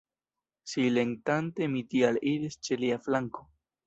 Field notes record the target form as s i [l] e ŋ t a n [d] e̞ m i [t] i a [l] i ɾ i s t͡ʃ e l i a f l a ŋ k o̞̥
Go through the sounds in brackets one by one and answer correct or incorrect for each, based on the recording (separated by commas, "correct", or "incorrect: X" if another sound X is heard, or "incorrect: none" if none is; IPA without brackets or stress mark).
correct, incorrect: t, correct, correct